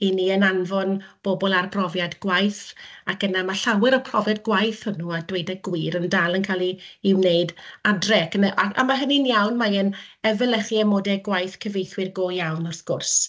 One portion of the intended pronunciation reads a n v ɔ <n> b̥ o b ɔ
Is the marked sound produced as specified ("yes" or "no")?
yes